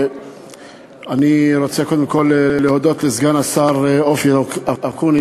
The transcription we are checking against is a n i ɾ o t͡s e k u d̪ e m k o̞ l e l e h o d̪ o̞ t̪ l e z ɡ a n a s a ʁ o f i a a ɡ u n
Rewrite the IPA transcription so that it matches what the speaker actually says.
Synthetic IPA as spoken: a n i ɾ o t͡s e k o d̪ e m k o̞ l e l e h o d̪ o̞ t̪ l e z ɡ a n a s a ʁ o f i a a k u n